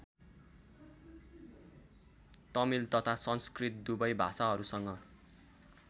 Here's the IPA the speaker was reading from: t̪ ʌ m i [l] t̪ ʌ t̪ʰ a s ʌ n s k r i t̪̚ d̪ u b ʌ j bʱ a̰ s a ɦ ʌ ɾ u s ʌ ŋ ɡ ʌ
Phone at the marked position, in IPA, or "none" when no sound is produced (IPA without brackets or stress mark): l